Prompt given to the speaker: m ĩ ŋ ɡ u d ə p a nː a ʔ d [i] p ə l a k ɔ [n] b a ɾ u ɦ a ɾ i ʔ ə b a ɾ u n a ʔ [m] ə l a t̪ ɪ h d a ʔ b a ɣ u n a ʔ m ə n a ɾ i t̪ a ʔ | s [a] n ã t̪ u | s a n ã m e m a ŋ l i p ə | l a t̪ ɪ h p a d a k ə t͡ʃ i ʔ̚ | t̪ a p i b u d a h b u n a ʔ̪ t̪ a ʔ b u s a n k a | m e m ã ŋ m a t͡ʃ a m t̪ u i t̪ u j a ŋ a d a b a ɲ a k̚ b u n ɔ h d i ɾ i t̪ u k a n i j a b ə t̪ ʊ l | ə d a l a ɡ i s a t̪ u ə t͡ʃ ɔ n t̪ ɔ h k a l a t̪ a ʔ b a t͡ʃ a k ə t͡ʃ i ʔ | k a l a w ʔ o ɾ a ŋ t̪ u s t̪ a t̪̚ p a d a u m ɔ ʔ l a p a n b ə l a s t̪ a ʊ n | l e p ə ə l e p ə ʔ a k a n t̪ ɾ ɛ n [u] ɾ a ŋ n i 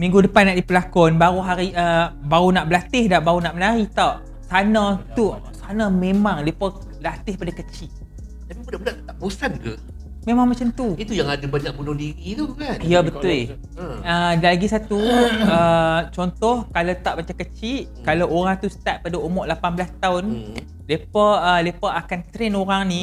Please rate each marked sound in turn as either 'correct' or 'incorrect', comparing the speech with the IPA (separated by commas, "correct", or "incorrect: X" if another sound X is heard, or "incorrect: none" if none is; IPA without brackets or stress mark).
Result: correct, correct, incorrect: b, correct, incorrect: o